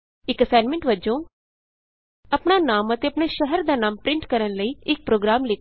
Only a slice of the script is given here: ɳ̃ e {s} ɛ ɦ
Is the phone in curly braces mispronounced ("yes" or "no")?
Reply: yes